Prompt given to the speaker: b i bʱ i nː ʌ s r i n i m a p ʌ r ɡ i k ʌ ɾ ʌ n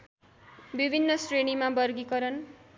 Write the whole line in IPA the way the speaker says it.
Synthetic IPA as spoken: b i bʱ i nː ʌ s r e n i m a b ʌ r ɡ i k ʌ ɾ ʌ n